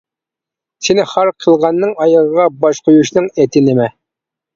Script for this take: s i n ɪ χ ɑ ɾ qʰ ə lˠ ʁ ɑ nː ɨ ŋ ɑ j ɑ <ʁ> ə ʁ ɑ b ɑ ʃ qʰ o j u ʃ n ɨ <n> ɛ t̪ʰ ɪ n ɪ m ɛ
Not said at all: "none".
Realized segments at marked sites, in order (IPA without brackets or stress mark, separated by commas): ʁ, ŋ